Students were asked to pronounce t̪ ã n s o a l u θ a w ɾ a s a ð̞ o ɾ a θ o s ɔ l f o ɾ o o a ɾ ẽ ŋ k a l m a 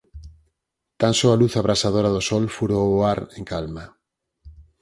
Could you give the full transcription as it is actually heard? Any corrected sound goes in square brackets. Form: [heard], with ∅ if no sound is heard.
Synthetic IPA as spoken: t̪ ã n s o a l u θ a [β] ɾ a s a ð̞ o ɾ a [ð] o s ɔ l f [u] ɾ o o a ɾ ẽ ŋ k a l m a